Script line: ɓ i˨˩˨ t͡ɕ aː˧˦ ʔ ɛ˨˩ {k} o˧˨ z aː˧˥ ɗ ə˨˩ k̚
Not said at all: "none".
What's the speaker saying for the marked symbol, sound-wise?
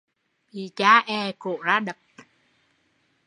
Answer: k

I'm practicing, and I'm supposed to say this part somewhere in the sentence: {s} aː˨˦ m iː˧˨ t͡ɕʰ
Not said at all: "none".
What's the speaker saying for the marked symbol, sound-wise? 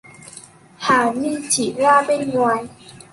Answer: h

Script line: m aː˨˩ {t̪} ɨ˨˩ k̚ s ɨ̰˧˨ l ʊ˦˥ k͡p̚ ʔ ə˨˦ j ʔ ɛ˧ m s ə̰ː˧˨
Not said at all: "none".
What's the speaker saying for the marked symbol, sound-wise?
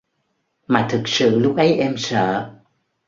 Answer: t̪ʰ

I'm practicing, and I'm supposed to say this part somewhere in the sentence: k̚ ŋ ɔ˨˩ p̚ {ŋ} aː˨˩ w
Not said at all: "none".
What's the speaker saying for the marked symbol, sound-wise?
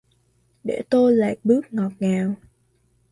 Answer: ŋ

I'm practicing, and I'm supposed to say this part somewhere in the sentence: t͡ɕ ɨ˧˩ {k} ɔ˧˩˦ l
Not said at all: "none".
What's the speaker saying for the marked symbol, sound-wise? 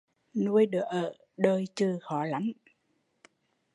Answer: x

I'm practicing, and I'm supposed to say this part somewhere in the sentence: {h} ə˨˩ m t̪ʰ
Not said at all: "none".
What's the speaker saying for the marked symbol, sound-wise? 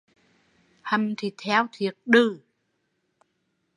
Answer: h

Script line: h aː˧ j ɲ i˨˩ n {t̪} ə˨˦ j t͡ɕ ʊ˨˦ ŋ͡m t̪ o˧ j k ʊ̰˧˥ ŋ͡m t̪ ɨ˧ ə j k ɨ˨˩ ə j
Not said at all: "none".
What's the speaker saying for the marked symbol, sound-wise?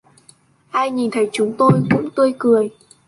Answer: t̪ʰ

